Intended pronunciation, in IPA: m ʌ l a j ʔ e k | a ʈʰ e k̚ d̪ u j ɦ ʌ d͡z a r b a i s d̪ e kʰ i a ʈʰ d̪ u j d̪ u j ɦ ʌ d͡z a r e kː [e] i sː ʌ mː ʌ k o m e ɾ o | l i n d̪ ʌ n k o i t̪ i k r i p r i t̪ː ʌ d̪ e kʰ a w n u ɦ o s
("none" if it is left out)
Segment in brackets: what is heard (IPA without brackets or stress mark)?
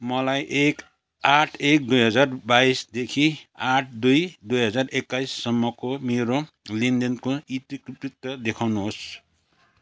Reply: a